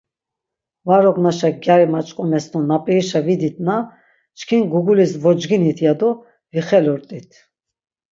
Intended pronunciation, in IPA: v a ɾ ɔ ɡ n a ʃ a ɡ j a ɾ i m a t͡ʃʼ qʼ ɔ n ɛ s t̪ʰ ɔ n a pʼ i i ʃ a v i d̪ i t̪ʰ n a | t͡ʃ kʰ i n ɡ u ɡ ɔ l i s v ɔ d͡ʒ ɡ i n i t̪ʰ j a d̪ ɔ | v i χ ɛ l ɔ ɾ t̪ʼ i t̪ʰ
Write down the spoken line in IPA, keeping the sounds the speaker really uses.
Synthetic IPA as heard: v a ɾ ɔ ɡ n a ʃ a ɡ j a ɾ i m a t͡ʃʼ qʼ ɔ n ɛ s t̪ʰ ɔ n a pʼ i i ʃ a v i d̪ i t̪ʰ n a | t͡ʃ kʰ i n ɡ u ɡ u l i s v ɔ d͡ʒ ɡ i n i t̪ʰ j a d̪ ɔ | v i χ ɛ l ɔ ɾ t̪ʼ i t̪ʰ